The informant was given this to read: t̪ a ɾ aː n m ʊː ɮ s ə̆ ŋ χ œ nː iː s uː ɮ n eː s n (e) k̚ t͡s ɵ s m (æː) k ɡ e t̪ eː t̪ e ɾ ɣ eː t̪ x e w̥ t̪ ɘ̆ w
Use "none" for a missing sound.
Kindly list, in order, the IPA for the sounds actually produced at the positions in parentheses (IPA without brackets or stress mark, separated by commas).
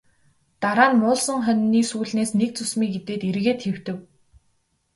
e, iː